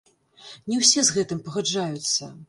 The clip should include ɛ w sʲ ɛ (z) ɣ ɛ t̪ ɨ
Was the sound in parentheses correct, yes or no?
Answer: yes